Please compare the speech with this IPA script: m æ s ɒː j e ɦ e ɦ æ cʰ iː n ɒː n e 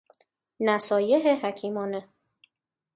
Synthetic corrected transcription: n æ s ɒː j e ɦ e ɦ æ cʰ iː m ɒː n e